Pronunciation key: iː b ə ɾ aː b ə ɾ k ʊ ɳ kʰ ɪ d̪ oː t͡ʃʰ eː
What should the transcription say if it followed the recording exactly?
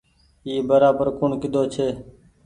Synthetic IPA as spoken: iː b ə ɾ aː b ə ɾ k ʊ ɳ k ɪ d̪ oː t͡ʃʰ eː